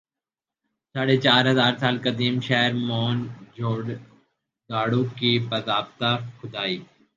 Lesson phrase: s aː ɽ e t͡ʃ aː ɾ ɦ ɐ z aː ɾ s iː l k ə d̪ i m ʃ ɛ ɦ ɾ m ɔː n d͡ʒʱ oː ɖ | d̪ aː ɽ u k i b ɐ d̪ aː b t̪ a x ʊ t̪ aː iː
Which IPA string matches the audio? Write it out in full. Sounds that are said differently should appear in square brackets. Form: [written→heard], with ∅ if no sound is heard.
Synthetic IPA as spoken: s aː ɽ e t͡ʃ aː ɾ ɦ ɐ z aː ɾ s [iː→aː] l k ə d̪ [i→iː] m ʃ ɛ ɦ ɾ m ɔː n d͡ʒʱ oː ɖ | d̪ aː ɽ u k i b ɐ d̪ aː b t̪ a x ʊ [t̪→d̪] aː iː